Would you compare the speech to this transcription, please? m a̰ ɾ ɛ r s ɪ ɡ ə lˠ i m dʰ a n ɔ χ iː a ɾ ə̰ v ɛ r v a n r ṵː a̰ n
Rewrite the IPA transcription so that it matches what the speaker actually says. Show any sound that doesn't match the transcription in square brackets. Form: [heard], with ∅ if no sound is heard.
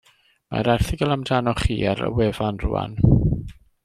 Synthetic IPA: m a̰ ɾ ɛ r [θ] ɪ ɡ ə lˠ [a] m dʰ a n ɔ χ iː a ɾ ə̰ [w] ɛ [∅] v a n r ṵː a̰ n

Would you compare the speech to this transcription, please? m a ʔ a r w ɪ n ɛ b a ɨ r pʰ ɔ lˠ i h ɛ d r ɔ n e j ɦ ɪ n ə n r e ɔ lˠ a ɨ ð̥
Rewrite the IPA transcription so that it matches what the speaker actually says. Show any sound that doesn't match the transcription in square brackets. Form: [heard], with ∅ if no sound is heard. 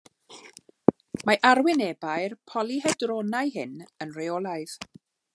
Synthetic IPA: m a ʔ a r w ɪ n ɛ b a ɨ r pʰ ɔ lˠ i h ɛ d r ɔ n [a] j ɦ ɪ n ə n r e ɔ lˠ a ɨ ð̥

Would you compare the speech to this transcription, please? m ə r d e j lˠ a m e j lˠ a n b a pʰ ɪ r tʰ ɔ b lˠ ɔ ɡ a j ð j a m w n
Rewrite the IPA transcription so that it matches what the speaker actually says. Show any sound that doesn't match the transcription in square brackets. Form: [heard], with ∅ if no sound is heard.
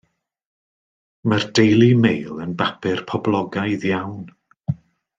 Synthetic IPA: m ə r d e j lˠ [i] m e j lˠ [ə] n b a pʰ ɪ r [pʰ] ɔ b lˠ ɔ ɡ a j ð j a [∅] w n

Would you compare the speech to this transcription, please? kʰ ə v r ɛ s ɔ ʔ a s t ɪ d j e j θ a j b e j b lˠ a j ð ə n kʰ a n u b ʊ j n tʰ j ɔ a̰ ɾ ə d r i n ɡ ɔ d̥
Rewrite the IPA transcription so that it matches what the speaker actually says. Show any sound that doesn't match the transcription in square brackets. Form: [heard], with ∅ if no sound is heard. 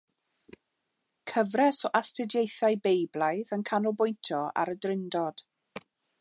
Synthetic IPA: kʰ ə v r ɛ s ɔ ʔ a s t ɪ d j e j θ a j b e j b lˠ a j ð ə n kʰ a n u b ʊ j n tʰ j ɔ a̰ ɾ ə d r [ɪ] n [d] ɔ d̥

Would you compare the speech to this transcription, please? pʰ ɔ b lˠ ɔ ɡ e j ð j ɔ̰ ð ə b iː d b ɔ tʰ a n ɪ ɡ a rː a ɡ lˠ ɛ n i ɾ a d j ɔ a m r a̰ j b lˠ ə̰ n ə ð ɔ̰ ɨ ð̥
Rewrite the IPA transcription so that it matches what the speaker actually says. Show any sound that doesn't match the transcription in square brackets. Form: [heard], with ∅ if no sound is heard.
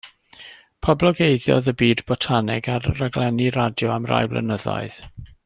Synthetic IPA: pʰ ɔ b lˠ ɔ ɡ e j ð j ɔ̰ ð ə b iː d b ɔ tʰ a n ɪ ɡ a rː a ɡ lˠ ɛ n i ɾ a d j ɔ a m r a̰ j b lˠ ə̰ n ə ð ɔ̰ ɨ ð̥

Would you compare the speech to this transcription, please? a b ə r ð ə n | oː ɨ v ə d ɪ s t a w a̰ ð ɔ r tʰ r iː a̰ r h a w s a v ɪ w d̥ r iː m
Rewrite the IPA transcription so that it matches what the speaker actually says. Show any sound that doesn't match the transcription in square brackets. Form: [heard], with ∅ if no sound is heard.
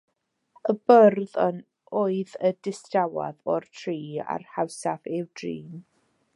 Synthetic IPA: [ə] b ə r ð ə n | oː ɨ [ð] ə d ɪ s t a w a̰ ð ɔ r tʰ r iː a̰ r h a w s a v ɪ w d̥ r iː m

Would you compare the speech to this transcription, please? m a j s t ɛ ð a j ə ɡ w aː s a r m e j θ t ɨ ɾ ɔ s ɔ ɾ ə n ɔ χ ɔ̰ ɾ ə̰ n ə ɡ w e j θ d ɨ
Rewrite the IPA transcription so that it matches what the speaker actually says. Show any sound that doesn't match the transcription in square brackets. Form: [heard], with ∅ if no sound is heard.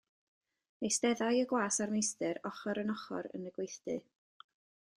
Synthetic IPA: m [e] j s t ɛ ð a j ə ɡ w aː s a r m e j [s] t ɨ ɾ ɔ [χ] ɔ ɾ ə n ɔ χ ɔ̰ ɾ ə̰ n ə ɡ w e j θ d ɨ

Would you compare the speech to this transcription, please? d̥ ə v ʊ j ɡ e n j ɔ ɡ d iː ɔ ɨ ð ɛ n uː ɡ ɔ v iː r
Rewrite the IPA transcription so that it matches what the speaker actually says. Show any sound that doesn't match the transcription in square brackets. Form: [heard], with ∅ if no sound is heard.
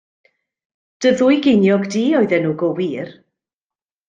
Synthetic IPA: d̥ ə [ð] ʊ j ɡ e n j ɔ ɡ d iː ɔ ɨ ð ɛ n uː ɡ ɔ [w] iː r

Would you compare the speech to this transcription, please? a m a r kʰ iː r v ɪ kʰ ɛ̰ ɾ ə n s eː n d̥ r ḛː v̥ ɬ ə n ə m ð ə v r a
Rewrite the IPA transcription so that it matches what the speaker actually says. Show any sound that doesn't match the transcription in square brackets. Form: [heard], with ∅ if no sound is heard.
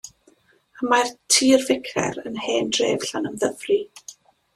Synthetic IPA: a m a r [tʰ] iː r v ɪ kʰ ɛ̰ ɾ ə n [h] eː n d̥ r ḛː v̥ ɬ [a] n ə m ð ə v r [i]

